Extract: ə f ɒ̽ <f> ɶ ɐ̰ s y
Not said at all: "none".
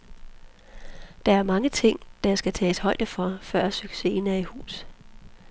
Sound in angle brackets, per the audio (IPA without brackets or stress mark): f